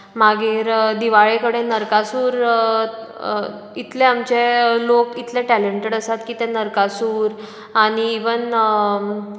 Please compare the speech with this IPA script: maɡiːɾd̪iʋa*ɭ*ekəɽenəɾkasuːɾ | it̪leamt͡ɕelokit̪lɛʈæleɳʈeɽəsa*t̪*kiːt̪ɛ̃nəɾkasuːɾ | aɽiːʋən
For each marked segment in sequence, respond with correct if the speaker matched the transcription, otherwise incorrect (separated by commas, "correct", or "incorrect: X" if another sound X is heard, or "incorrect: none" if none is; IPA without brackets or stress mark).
correct, correct